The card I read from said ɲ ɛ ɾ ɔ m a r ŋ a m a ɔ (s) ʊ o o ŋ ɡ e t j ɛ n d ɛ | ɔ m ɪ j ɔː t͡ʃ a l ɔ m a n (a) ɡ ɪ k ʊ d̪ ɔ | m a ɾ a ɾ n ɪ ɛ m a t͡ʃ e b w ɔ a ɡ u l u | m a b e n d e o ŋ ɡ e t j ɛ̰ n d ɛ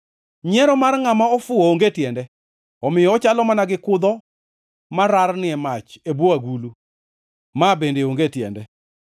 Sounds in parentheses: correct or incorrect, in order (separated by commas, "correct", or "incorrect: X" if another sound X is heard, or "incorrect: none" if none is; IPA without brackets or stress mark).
incorrect: f, correct